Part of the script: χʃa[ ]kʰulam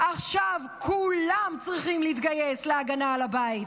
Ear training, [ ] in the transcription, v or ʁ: v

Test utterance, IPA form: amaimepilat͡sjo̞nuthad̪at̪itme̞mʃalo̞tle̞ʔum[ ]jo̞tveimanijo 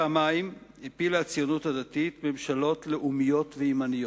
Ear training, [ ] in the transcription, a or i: i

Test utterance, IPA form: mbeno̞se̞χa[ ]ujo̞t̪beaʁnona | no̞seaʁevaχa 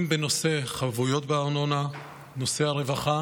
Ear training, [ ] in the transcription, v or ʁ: v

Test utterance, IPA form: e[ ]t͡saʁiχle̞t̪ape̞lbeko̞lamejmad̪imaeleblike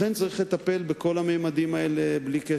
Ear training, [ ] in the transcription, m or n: n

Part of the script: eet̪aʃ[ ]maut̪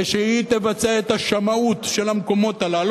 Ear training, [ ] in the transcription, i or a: a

